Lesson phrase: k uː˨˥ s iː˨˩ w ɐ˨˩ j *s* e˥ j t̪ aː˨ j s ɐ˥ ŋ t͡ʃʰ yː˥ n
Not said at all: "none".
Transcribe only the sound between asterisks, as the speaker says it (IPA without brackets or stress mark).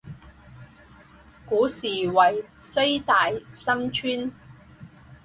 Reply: s